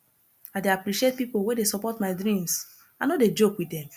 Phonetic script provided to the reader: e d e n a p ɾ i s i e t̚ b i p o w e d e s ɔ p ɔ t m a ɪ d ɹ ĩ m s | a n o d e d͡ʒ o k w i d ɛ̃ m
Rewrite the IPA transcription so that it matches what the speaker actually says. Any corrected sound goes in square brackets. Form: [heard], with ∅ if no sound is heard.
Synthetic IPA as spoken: [a] d e [∅] a p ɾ i [ʃ] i e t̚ [p] i p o w e d e s ɔ p ɔ t m a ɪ d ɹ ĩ m s | a n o d e d͡ʒ o k w i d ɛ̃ m